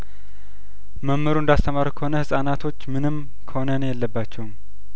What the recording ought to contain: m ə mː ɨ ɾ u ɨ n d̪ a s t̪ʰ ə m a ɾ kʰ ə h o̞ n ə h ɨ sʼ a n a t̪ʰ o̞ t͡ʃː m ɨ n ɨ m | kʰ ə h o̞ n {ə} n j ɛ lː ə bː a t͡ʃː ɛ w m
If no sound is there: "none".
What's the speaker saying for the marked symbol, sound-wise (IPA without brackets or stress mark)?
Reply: ə